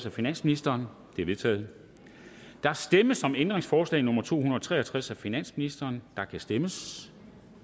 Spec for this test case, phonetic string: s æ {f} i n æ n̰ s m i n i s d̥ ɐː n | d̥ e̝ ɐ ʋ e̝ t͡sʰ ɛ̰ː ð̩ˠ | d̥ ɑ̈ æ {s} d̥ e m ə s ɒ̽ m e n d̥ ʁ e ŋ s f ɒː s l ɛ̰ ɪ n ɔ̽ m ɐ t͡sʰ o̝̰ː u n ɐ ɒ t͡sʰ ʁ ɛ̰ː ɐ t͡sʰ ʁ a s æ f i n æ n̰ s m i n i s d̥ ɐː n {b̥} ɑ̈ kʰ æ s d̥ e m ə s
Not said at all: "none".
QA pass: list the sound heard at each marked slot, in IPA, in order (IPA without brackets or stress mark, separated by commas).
f, s, d̥